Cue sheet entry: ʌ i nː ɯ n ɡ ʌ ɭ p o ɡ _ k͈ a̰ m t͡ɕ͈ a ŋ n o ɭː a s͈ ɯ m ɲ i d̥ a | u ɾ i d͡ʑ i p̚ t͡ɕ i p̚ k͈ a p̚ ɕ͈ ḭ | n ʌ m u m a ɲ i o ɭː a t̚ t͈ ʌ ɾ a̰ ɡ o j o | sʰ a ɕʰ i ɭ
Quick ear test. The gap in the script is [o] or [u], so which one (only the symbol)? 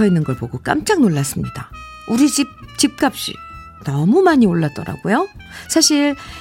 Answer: o